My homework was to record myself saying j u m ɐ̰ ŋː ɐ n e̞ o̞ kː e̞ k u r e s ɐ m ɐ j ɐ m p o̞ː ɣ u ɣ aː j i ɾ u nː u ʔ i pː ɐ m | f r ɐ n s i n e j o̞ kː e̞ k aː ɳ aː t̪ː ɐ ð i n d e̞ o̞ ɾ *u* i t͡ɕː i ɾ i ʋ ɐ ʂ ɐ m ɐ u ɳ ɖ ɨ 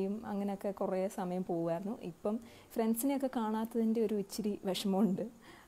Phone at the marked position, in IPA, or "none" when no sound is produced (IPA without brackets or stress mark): u